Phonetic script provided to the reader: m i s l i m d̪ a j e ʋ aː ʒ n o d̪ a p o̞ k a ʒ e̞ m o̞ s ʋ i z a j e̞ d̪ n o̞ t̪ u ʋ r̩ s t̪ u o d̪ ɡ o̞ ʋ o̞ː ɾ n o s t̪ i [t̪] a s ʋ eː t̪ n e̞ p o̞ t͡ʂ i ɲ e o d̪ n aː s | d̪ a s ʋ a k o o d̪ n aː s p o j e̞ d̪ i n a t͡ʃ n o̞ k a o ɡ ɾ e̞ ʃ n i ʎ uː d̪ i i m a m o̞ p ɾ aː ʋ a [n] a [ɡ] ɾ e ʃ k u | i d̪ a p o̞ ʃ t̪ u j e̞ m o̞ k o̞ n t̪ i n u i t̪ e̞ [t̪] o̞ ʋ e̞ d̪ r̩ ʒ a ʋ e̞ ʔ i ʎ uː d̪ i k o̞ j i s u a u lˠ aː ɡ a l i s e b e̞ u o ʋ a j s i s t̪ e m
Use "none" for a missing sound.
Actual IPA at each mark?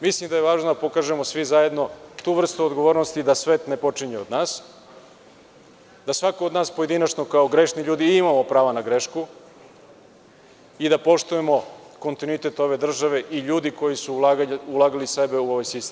d̪, n, ɡ, t̪

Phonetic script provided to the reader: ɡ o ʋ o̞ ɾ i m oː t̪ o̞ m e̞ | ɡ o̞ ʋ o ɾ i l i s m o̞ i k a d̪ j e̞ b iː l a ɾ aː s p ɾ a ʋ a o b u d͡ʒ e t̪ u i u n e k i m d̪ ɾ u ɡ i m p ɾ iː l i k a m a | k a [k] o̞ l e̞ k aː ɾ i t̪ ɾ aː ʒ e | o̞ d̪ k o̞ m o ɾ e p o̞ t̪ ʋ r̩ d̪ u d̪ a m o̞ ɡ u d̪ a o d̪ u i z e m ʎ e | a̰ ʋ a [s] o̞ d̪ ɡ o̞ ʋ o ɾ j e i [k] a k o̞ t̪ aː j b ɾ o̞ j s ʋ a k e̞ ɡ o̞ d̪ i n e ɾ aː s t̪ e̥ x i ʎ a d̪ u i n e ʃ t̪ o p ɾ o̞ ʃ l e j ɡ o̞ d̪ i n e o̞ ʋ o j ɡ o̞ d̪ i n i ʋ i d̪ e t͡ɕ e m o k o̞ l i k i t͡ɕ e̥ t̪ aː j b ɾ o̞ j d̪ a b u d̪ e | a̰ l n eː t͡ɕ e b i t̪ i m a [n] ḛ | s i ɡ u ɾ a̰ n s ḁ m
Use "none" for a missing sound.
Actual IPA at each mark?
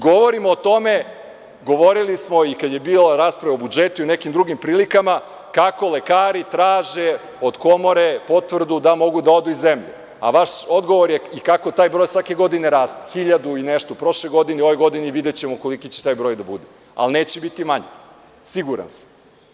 k, ʃ, k, ɲ

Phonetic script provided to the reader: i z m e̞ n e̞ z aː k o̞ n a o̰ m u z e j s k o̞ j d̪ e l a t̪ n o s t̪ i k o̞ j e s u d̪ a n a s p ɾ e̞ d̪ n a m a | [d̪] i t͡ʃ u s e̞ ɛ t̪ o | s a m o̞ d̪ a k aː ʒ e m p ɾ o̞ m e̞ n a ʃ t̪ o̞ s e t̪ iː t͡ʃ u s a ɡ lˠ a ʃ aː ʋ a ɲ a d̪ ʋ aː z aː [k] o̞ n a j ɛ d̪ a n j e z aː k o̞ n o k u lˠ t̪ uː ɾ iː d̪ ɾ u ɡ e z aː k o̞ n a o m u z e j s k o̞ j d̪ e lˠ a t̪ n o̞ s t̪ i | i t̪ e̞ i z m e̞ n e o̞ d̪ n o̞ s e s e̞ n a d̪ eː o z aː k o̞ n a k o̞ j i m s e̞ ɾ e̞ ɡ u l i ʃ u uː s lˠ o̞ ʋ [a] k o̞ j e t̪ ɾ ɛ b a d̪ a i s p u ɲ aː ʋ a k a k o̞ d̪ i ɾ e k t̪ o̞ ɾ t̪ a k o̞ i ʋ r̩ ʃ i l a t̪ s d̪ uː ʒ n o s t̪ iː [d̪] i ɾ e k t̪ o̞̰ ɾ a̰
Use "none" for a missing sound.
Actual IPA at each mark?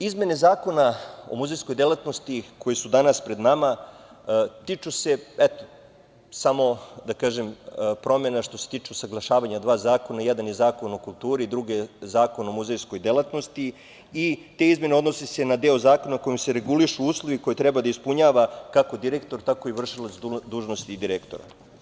t̪, k, i, d̪

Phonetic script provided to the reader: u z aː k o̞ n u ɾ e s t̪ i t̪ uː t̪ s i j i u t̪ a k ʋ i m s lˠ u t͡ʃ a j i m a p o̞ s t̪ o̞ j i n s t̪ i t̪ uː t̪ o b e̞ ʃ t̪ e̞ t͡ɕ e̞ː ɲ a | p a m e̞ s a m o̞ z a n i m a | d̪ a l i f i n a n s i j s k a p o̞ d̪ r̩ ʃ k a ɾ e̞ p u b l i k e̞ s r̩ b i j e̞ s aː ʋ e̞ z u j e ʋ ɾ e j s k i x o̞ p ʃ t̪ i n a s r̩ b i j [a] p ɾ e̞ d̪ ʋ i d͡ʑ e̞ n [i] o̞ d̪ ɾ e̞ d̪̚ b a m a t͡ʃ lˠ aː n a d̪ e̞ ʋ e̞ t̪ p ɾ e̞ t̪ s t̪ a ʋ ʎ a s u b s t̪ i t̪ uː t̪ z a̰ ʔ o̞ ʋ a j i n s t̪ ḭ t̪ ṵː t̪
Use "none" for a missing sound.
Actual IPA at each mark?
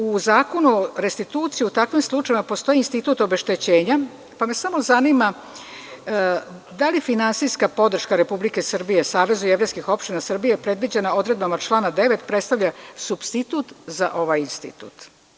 e, a

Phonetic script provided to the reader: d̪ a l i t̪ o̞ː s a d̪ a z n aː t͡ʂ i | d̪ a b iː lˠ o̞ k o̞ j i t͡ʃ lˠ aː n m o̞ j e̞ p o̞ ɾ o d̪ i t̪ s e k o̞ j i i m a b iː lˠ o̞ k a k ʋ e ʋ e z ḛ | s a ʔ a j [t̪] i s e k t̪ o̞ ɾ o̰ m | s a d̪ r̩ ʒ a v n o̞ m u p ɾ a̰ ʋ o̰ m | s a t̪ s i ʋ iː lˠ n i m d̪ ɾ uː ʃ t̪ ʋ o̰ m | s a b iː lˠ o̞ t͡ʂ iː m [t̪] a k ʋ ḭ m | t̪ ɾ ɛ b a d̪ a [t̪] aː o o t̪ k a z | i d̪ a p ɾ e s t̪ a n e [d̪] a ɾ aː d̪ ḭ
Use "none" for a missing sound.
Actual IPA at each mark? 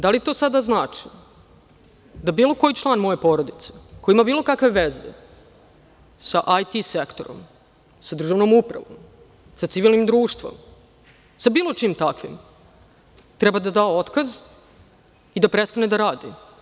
t̪, t̪, d̪, d̪

